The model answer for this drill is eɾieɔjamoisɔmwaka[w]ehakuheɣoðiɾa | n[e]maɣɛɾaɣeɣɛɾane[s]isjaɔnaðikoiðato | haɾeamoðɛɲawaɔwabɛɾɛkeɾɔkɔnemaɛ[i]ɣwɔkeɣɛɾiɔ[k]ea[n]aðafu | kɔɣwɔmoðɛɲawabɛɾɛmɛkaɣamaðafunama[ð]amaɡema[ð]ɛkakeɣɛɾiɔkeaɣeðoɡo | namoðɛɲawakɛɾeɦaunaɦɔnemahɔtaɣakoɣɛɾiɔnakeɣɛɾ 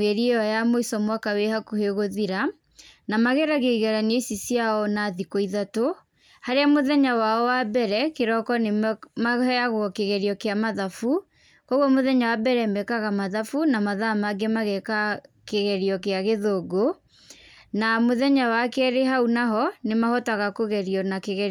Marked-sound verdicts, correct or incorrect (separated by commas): correct, incorrect, correct, incorrect, correct, incorrect, correct, incorrect